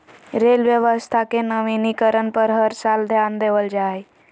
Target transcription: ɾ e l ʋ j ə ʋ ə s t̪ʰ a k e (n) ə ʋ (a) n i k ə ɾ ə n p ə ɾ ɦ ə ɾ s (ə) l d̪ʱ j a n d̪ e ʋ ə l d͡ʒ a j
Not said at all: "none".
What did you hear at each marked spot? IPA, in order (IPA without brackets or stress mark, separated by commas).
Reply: n, i, a